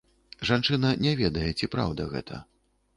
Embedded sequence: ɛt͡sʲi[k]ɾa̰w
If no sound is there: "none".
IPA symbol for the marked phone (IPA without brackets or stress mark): p